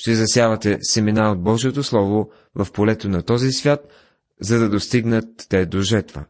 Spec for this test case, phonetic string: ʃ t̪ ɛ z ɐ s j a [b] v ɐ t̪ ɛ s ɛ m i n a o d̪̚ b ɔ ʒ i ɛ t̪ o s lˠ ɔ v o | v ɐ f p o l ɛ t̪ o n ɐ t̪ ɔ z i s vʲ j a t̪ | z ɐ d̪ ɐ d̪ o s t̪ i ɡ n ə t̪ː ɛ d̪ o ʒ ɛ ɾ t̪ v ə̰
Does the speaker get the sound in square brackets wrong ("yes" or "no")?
yes